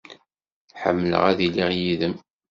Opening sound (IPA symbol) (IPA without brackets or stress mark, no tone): ħ